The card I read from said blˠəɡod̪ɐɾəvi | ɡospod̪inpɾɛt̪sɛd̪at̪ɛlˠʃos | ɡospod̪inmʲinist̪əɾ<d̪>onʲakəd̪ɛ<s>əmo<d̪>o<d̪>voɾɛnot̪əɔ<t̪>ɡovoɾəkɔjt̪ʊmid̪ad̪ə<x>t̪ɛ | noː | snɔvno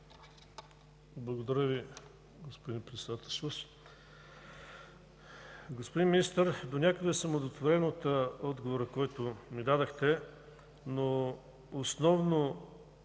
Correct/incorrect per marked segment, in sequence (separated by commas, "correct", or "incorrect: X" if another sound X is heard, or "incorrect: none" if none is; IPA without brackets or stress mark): correct, correct, correct, incorrect: t̪, incorrect: d̪, correct